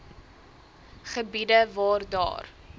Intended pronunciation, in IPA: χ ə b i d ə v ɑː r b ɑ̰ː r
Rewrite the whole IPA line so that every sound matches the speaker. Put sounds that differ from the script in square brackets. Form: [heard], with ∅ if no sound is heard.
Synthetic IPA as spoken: χ ə b i d ə v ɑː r [d] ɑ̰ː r